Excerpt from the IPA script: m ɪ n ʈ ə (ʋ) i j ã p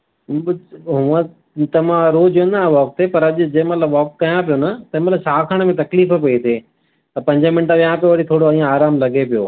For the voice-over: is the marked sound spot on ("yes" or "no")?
yes